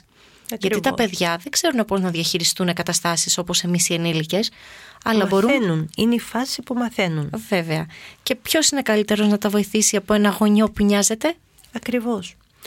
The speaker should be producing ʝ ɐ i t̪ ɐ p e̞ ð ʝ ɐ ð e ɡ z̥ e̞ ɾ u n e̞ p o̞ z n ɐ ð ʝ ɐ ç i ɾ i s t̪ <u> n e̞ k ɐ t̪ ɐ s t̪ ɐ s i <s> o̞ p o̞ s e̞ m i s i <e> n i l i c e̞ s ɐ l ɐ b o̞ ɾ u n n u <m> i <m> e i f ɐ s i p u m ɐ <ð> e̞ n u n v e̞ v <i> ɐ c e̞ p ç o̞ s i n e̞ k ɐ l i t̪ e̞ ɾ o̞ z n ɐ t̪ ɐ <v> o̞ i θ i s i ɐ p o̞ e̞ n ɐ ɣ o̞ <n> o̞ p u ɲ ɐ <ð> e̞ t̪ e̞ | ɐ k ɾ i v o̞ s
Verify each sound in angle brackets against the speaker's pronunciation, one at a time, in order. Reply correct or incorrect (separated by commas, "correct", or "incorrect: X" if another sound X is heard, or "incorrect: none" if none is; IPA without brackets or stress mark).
correct, correct, correct, incorrect: n, incorrect: n, incorrect: θ, incorrect: e, correct, incorrect: ɲ, incorrect: z